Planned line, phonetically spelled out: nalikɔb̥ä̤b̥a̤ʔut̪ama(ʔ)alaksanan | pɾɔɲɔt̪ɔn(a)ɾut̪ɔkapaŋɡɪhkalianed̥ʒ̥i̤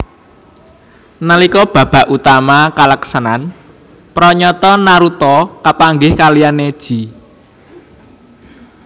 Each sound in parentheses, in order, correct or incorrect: incorrect, correct

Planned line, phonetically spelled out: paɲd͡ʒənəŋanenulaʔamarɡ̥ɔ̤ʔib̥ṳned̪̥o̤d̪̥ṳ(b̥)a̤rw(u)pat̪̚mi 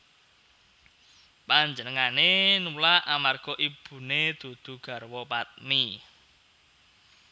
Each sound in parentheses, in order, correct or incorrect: incorrect, incorrect

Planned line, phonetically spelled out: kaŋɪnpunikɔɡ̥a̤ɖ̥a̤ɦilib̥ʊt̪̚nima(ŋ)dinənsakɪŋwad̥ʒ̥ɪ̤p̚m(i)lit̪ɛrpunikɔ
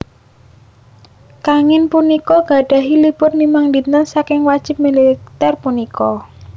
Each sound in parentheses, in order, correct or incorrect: correct, correct

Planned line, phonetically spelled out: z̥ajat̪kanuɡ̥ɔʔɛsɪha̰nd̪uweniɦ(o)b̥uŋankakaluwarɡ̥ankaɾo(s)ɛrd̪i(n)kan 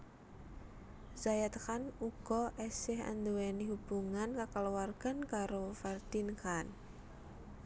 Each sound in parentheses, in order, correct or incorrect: incorrect, incorrect, correct

